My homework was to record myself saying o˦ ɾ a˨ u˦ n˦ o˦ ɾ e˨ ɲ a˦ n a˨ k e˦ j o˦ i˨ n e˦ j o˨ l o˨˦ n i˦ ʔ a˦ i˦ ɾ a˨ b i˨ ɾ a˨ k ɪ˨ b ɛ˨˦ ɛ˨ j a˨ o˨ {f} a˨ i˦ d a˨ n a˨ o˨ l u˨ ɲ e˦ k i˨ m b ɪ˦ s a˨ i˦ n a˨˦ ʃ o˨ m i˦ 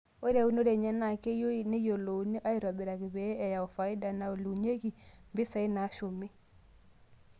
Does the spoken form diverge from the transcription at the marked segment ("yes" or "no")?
no